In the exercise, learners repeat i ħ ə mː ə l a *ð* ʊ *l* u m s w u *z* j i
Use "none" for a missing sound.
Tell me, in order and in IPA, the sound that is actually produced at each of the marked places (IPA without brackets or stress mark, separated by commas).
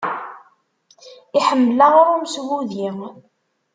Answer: ʁ, ɾ, ð